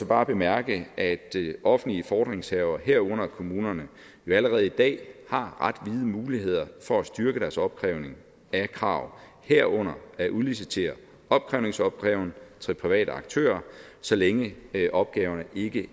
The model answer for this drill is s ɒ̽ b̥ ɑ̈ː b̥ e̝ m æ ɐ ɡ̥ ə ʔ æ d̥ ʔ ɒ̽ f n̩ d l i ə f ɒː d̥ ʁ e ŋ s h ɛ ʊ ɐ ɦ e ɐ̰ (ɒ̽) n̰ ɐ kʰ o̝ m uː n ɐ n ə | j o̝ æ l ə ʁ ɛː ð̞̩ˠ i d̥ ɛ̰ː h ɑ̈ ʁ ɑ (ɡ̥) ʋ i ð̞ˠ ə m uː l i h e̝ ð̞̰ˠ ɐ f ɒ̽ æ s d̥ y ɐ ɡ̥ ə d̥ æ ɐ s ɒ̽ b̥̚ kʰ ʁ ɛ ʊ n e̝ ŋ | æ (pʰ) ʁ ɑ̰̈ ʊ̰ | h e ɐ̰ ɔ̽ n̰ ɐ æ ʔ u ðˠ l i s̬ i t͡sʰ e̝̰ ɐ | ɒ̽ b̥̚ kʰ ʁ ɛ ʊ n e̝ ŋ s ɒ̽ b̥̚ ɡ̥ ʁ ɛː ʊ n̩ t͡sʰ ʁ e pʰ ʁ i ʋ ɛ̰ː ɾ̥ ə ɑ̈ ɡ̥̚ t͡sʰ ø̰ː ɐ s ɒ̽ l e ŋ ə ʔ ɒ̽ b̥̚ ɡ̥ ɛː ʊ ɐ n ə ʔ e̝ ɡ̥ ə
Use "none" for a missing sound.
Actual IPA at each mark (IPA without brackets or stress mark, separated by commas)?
ɔ̽, d̥, kʰ